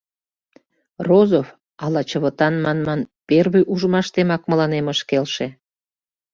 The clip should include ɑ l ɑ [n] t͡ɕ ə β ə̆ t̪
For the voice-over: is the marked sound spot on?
no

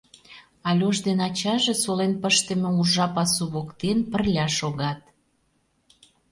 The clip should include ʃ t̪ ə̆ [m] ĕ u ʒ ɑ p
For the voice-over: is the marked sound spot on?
yes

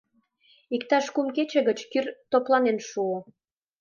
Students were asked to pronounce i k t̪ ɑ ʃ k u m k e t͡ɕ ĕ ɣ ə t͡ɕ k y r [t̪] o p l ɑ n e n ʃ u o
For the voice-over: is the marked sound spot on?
yes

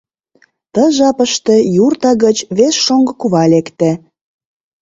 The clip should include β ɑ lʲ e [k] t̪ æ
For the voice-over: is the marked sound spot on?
yes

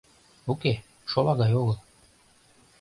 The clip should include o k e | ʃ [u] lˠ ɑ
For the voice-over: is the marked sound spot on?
no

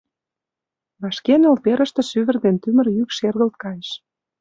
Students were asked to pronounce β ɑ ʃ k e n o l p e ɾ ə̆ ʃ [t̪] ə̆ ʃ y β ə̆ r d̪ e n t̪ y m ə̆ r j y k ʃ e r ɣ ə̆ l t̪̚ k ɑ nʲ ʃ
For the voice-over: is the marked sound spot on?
yes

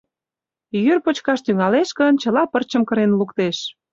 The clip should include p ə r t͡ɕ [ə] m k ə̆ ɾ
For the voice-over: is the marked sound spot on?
yes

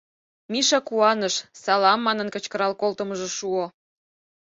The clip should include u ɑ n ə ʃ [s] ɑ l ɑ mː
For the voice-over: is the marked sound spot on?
yes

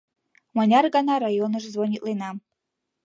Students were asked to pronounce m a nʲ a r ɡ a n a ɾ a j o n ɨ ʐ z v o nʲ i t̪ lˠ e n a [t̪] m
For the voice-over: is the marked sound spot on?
no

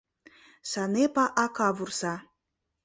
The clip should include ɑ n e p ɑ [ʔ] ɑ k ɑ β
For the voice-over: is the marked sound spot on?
yes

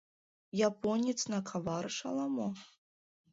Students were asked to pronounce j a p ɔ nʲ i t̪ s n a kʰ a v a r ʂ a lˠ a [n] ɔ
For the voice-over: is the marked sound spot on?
no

